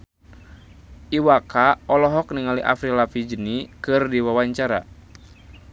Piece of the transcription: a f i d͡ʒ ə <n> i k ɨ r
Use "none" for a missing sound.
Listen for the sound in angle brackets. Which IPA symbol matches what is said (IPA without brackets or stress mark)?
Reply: n